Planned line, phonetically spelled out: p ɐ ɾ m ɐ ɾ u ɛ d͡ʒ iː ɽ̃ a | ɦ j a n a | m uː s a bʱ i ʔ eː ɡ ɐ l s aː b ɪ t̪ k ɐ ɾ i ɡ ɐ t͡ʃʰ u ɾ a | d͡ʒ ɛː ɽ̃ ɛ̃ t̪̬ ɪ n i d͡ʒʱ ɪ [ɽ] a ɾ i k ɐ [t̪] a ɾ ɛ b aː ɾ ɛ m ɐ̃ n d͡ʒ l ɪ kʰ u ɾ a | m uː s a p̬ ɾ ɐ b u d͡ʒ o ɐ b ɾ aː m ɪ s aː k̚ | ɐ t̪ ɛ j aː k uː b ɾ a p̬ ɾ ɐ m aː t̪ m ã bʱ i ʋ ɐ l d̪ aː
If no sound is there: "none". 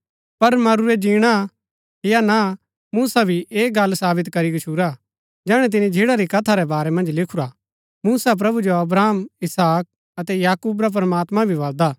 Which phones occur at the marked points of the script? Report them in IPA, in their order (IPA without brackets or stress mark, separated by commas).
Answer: ɽ, t̪ʰ